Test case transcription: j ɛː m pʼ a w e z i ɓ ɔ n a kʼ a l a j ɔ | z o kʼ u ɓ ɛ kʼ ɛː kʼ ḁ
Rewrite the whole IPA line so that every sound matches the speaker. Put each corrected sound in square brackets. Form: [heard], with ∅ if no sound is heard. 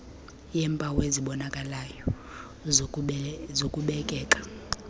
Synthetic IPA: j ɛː m pʼ a w e z i ɓ ɔ n a kʼ a l a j ɔ | z o kʼ u ɓ ɛ kʼ ɛː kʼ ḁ

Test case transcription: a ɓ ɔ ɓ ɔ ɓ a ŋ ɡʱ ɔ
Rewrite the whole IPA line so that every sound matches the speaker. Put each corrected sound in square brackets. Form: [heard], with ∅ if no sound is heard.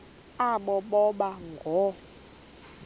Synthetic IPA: a ɓ ɔ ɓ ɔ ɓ a ŋ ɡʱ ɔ

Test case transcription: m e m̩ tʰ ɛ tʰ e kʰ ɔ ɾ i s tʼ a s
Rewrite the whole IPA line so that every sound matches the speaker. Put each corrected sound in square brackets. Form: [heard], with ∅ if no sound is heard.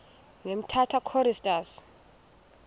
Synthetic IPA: [ŋ] e m̩ tʰ [a] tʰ [a] kʰ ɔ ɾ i s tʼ a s

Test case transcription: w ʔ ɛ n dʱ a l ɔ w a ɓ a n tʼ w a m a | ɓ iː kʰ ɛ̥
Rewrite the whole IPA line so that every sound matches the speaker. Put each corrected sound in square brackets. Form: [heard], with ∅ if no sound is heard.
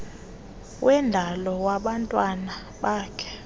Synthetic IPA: w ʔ ɛ n dʱ a l ɔ w a ɓ a n tʼ w a [n] a | ɓ [aː] kʰ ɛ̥

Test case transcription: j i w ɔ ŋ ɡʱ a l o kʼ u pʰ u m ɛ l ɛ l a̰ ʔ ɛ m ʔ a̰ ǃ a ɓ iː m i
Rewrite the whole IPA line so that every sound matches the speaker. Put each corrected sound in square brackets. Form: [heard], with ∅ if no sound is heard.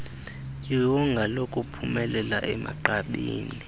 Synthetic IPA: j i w ɔ ŋ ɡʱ a l o kʼ u pʰ u m ɛ l ɛ l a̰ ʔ ɛ m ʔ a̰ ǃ a ɓ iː [n] i

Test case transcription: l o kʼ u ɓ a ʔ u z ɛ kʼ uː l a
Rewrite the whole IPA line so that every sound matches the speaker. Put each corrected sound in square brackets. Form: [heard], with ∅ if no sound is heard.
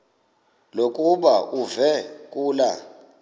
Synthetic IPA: l o kʼ u ɓ a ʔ u [v] ɛ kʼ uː l a

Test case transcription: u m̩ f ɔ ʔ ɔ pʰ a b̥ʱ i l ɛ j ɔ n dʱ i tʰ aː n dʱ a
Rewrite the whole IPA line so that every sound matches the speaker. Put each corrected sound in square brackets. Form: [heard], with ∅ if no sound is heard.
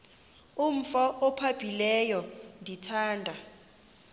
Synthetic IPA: u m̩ f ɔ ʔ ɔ pʰ a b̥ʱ i l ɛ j ɔ n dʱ i tʰ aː n dʱ a

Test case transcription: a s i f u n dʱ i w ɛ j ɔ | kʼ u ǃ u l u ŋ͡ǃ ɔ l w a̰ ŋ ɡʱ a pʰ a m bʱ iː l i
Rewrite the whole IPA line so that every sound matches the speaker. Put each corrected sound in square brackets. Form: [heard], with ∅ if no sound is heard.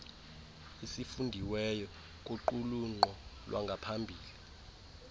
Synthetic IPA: [i] s i f u n dʱ i w ɛ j ɔ | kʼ u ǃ u l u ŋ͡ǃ ɔ l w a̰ ŋ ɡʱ a pʰ a m bʱ iː l i

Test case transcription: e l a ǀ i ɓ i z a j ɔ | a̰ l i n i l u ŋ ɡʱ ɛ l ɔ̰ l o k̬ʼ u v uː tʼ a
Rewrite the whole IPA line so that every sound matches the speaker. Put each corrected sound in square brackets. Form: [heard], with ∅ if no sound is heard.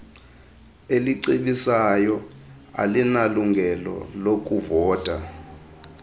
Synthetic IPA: e l [i] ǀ i ɓ i [s] a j ɔ | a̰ l i n [a] l u ŋ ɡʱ ɛ l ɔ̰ l o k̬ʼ u v [ɔː] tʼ a

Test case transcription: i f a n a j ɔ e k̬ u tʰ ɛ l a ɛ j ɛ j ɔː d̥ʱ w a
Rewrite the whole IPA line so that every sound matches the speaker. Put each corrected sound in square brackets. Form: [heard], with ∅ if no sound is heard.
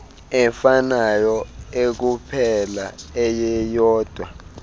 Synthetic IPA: [ɛ] f a n a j ɔ e k̬ u [pʰ] ɛ l a ɛ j ɛ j ɔː d̥ʱ w a

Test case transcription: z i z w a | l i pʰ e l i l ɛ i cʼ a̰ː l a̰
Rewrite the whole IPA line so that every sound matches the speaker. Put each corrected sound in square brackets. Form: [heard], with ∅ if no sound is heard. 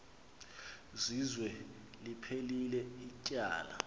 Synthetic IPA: z i z w [ɛ] | l i pʰ e l i l ɛ i cʼ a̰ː l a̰

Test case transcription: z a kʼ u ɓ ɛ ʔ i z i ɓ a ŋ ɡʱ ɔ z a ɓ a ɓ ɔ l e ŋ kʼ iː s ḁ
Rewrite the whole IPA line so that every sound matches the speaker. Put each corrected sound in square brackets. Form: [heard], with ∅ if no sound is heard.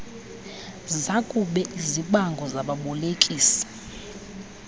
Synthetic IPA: z a kʼ u ɓ ɛ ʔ i z i ɓ a ŋ ɡʱ ɔ z a ɓ a ɓ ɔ l e [∅] kʼ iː s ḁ

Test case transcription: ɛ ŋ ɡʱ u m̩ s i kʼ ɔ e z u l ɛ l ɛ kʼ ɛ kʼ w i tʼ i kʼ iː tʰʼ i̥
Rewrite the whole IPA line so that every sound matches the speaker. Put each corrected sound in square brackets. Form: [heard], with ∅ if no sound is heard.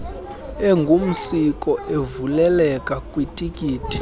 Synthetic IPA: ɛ ŋ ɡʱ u m̩ s i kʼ ɔ e [v] u l ɛ l ɛ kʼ [a] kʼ w i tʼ i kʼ iː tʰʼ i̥

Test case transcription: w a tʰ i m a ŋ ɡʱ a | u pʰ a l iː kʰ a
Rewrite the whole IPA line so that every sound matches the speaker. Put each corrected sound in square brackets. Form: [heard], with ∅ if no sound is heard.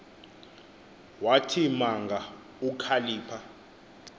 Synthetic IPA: w a tʰ i m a ŋ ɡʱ a | u [kʰ] a l iː [pʰ] a

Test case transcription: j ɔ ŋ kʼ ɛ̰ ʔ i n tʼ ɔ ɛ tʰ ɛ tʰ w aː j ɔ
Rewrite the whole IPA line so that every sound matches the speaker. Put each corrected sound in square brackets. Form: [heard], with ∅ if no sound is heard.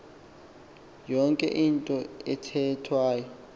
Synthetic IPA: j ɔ ŋ kʼ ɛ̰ ʔ i n tʼ ɔ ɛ tʰ ɛ tʰ w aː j ɔ

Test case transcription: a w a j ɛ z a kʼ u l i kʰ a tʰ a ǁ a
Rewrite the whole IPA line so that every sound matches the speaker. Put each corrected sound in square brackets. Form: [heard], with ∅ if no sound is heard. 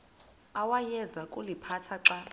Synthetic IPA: a w a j ɛ z a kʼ u l i [pʰ] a tʰ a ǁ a

